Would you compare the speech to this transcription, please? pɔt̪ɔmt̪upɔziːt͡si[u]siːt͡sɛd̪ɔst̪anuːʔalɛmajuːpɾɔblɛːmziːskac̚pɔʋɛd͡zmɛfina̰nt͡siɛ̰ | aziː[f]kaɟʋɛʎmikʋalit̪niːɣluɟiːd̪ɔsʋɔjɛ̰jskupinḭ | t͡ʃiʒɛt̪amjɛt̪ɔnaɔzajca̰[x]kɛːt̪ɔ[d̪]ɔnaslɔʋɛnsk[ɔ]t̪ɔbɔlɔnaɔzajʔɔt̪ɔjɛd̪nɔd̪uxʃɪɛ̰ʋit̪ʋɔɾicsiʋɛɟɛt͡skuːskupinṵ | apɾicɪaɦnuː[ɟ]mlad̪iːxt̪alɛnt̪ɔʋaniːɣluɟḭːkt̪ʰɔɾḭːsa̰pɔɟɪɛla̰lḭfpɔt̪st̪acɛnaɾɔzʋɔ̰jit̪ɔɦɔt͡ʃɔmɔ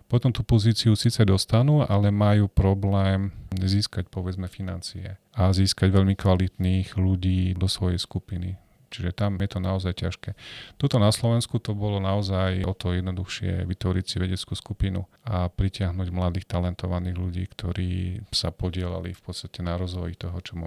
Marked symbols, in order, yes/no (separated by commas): yes, no, no, no, no, yes